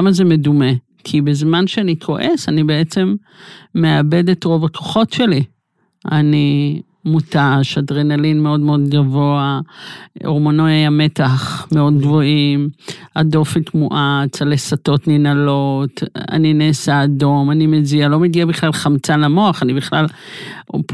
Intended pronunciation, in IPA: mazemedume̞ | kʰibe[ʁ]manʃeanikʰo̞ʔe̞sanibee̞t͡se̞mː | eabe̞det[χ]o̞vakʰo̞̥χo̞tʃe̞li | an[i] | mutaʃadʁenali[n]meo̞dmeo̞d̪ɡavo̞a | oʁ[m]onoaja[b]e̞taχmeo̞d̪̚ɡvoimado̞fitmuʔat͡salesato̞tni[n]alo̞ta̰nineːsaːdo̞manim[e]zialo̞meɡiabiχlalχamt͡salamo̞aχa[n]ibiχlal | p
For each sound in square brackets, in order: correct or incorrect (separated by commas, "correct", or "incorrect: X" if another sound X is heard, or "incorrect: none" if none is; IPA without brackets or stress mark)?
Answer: incorrect: z, incorrect: ʁ, correct, correct, correct, incorrect: m, correct, correct, correct